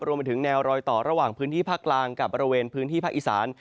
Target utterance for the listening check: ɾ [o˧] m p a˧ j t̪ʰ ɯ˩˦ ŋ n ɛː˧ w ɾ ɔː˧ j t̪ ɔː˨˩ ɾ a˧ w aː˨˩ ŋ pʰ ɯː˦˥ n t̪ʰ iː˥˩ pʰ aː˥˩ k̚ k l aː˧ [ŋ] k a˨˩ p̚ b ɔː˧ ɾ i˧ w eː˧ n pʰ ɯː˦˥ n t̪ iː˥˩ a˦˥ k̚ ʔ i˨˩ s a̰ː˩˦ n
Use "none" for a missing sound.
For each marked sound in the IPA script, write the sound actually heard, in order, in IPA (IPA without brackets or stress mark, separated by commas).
u˧, ŋ